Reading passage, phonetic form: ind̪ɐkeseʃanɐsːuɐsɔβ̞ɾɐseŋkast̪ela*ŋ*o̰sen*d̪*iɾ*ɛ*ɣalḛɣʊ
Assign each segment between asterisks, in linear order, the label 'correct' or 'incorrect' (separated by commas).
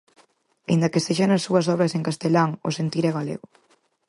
correct, incorrect, correct